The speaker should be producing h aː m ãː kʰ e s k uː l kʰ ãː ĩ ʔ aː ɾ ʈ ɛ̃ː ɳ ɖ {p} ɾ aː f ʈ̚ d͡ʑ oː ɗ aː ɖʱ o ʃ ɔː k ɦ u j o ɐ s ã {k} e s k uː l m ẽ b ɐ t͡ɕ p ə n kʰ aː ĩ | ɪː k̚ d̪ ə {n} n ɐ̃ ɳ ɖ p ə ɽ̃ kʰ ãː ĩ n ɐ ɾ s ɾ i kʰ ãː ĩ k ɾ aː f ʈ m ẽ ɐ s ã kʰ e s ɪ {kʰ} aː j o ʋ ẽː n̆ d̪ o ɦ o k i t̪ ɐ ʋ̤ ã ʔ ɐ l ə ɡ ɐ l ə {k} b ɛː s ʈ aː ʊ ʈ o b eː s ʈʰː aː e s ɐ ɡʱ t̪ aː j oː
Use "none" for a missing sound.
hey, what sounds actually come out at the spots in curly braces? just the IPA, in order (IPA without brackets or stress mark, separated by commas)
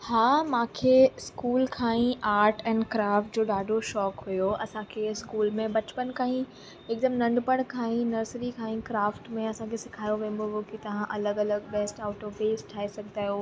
k, kʰ, m, kʰ, ɡ